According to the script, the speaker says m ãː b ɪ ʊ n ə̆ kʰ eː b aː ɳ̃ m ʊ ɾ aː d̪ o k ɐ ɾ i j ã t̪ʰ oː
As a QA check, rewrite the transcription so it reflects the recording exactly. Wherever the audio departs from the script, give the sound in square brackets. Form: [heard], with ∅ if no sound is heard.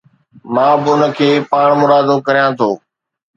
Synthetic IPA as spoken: m ãː b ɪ ʊ n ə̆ kʰ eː [p] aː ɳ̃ m ʊ ɾ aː d̪ o k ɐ ɾ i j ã t̪ʰ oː